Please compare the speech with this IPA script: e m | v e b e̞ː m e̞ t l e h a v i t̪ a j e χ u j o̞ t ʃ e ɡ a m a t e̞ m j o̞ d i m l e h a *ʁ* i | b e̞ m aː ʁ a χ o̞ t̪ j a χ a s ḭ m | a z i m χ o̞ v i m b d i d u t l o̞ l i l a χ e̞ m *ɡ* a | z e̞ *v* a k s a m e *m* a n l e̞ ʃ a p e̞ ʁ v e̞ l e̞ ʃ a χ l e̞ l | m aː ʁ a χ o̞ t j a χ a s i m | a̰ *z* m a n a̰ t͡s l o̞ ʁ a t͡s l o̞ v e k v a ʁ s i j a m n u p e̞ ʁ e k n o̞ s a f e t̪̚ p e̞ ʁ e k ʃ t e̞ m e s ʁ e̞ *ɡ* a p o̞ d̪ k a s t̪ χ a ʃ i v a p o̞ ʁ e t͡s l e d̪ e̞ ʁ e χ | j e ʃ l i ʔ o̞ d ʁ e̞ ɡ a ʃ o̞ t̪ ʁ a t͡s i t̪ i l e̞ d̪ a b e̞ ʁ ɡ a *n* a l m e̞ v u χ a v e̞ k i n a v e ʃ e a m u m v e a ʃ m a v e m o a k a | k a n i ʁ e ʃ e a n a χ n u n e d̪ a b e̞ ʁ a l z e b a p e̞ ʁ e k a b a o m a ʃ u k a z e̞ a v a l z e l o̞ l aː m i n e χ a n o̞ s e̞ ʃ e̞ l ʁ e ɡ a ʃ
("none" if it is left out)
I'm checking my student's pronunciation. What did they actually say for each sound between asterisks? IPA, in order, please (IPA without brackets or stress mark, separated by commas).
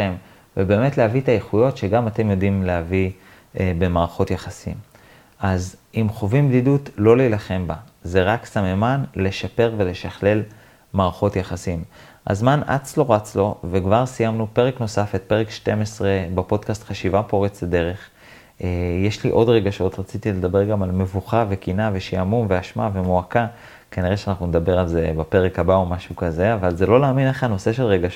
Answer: v, b, ʁ, m, z, b, m